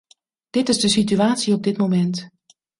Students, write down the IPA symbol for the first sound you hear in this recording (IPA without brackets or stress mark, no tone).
d̥